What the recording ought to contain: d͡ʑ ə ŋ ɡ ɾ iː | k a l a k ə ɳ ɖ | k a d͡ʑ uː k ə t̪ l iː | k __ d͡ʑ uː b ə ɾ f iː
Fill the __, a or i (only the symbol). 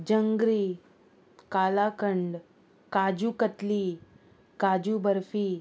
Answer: a